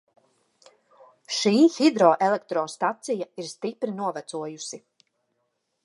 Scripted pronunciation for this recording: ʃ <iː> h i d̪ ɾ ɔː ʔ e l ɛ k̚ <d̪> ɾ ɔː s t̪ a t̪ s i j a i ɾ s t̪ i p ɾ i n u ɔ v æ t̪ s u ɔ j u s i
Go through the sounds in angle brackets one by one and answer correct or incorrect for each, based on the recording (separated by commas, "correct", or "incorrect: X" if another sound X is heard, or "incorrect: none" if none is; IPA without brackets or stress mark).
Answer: correct, incorrect: t̪